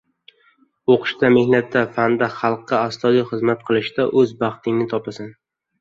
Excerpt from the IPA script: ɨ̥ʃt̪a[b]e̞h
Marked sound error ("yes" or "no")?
yes